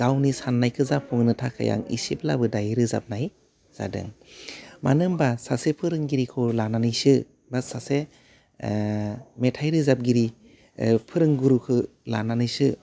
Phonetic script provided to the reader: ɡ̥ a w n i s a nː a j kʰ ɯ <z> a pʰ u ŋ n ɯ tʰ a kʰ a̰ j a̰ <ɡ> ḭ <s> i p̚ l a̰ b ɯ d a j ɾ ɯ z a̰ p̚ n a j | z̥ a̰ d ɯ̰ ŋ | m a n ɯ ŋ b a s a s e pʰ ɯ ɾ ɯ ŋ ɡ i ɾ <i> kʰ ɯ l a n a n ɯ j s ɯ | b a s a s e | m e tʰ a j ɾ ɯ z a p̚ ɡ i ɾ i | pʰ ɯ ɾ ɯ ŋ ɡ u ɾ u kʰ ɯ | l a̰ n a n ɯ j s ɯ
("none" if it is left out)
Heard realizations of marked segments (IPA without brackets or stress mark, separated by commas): z, ŋ, s, i